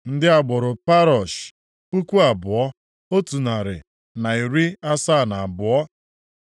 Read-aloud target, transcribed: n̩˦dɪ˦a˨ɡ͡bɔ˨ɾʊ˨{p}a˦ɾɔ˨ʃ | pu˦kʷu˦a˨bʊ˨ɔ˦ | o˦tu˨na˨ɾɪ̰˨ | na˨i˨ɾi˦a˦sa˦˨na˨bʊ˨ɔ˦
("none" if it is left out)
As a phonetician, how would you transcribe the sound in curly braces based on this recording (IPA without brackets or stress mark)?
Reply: p